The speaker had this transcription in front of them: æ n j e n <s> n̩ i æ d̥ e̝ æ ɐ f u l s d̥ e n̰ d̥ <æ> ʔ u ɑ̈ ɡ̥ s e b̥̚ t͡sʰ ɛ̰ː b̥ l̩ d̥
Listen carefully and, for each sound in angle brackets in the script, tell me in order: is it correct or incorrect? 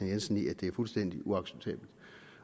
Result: correct, incorrect: i

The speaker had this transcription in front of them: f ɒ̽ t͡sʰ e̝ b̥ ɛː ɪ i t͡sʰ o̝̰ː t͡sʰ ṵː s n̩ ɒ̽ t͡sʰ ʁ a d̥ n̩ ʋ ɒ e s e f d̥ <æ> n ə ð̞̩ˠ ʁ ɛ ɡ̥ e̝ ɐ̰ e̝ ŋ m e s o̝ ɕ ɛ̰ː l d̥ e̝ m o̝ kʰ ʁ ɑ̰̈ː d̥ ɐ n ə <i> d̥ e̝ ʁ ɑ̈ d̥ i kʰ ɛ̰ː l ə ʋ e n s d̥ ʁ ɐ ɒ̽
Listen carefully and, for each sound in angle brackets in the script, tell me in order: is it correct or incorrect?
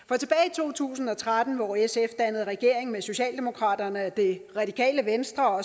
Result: correct, incorrect: æ

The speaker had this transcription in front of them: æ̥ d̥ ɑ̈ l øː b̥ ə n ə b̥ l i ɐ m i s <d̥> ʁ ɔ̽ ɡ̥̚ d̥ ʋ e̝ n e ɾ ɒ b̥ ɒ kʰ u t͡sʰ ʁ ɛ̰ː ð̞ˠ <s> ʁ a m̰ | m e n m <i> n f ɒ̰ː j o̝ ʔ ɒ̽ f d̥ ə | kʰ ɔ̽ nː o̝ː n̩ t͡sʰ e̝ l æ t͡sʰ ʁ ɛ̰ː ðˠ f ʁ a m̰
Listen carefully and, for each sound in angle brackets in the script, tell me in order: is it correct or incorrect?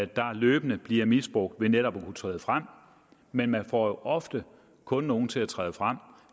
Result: incorrect: b̥, incorrect: f, incorrect: æ

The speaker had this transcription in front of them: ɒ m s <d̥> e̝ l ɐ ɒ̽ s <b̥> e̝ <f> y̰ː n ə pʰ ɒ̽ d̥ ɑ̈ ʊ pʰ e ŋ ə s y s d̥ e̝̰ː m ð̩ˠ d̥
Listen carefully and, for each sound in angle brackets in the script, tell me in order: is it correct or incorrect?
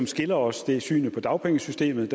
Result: incorrect: ɡ̥, incorrect: d̥, incorrect: s

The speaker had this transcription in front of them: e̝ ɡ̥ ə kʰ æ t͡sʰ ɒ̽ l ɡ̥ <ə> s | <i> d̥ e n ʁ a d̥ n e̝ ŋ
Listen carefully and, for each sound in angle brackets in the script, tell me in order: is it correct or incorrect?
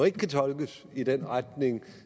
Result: correct, correct

